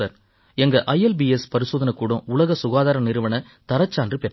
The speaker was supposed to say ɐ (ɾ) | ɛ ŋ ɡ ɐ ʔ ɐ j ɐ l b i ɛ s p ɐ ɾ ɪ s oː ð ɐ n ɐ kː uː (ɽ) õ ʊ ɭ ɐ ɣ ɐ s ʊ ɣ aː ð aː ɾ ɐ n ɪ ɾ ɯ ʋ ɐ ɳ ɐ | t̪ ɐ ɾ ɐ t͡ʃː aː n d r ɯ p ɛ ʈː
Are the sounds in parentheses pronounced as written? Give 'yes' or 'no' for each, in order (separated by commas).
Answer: yes, yes